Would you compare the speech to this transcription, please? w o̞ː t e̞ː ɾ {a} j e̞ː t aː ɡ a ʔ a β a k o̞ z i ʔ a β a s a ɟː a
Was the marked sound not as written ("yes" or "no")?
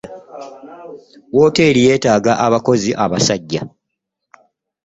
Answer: yes